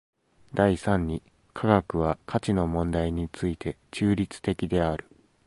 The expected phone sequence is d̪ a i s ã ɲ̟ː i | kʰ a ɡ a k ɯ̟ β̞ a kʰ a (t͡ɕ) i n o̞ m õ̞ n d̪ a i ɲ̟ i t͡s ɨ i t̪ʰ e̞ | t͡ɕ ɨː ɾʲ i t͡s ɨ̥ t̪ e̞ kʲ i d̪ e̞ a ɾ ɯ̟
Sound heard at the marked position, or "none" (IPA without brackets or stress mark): t͡ɕ